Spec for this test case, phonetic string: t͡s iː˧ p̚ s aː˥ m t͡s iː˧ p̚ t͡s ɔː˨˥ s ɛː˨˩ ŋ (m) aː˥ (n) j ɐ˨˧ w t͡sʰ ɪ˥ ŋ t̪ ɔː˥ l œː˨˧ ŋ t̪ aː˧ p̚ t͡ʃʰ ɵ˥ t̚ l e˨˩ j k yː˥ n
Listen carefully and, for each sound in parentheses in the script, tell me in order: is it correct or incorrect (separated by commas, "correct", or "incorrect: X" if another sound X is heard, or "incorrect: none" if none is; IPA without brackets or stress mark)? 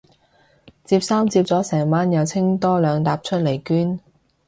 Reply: correct, correct